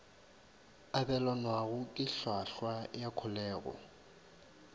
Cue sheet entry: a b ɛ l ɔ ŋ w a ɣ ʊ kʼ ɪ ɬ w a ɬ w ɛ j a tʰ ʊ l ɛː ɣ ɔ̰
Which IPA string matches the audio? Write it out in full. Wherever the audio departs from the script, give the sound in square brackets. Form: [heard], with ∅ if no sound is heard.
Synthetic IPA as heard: a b ɛ l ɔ [n] w a ɣ ʊ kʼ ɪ ɬ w a ɬ w [a] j a [kʰ] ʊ l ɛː ɣ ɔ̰